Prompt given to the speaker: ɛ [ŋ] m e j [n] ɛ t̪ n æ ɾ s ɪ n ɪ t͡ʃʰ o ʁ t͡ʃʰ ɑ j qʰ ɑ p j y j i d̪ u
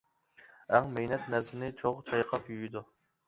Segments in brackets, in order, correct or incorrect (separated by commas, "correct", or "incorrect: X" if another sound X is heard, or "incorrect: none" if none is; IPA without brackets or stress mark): correct, correct